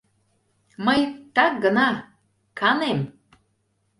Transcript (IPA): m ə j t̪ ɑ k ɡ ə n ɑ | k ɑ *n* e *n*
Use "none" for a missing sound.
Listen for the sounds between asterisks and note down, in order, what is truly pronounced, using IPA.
n, m

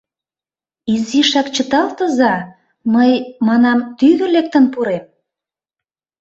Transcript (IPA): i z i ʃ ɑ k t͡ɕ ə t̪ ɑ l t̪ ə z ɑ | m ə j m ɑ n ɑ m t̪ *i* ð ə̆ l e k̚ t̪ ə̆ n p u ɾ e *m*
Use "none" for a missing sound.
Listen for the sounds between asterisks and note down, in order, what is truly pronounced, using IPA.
y, m

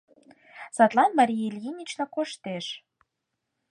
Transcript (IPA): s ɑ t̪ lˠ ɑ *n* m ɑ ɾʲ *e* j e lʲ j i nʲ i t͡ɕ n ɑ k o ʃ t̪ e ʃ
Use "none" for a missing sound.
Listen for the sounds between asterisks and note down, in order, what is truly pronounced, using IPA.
n, i

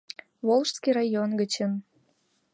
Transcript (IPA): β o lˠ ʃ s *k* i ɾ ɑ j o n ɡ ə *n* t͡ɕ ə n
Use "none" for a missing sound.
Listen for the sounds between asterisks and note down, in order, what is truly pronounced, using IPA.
k, none

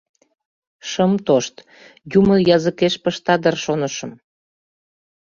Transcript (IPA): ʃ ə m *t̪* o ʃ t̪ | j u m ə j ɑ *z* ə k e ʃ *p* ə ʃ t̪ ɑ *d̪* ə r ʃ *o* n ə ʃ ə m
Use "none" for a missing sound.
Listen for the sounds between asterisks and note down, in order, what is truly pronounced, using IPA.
t̪, z, p, d̪, o

